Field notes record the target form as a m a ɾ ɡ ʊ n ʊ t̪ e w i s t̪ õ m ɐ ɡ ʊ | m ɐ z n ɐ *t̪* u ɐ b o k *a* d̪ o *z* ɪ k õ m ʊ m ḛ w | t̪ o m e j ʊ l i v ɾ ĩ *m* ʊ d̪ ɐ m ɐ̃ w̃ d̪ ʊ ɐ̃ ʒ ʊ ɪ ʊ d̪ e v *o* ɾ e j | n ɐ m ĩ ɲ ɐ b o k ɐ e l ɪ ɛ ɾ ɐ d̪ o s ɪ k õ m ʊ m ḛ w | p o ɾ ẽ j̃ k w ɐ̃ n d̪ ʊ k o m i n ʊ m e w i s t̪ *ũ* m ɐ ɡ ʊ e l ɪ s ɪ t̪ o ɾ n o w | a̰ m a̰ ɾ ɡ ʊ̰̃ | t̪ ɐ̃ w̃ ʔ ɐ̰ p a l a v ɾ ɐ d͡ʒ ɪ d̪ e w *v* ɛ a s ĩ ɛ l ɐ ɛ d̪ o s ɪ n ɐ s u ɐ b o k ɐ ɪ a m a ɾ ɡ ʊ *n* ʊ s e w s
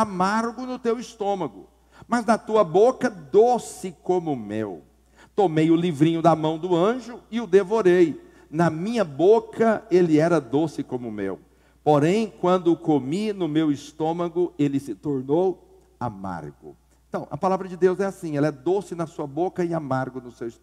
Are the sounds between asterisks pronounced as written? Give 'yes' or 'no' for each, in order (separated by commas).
yes, no, no, no, yes, no, no, yes